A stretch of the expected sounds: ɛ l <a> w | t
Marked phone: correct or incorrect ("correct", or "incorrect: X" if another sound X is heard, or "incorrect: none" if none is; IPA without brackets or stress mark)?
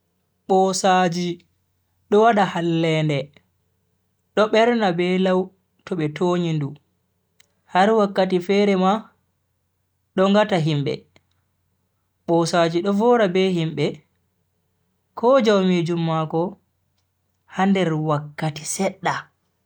correct